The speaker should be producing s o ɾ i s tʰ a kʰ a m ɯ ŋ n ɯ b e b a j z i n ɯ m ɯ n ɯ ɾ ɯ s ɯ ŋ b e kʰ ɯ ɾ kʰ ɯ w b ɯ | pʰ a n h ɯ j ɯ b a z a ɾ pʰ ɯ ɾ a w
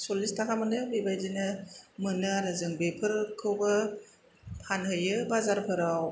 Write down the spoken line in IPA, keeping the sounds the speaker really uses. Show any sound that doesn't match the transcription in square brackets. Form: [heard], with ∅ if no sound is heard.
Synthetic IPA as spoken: s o [l] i s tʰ a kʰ a m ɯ [∅] n ɯ b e b a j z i n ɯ m ɯ n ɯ ɾ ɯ [z] ɯ ŋ b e [pʰ] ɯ ɾ kʰ ɯ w b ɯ | pʰ a n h ɯ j ɯ b a z a ɾ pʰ ɯ ɾ a w